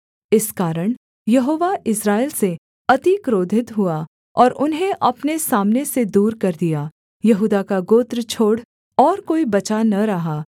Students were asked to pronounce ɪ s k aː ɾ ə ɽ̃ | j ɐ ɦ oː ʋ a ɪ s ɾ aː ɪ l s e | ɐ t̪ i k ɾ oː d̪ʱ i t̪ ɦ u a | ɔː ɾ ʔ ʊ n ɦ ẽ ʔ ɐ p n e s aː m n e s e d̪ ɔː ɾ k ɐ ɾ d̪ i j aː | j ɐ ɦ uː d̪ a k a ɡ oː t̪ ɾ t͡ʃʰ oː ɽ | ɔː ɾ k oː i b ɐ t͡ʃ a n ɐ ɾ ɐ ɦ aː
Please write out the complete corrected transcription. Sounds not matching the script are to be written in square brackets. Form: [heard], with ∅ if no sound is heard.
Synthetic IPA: ɪ s k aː ɾ ə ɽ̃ | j ɐ ɦ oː ʋ a ɪ s ɾ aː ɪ l s e | ɐ t̪ i k ɾ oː d̪ʱ [ɪ] t̪ ɦ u a | ɔː ɾ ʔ ʊ n ɦ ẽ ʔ ɐ p n e s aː m n e s e d̪ [uː] ɾ k ɐ ɾ d̪ i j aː | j ɐ ɦ uː d̪ a k a ɡ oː t̪ ɾ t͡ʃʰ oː ɽ | ɔː ɾ k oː i b ɐ t͡ʃ a n ɐ ɾ ɐ ɦ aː